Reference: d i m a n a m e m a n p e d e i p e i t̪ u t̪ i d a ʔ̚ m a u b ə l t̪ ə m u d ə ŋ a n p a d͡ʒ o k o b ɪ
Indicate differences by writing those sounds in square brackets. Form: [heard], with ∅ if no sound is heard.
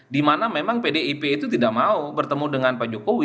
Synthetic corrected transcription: d i m a n a m e m a [ŋ] p e d e i p e i t̪ u t̪ i d a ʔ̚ m a u b ə [r] t̪ ə m u d ə ŋ a n p a d͡ʒ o k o [w] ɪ